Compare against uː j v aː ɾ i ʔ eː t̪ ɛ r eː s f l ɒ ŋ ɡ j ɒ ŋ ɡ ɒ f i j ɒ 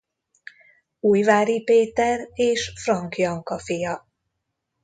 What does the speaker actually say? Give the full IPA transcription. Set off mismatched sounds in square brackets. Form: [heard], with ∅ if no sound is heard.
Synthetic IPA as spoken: uː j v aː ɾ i [p] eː t̪ ɛ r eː [ʃ] f [r] ɒ ŋ [k] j ɒ ŋ [k] ɒ f i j ɒ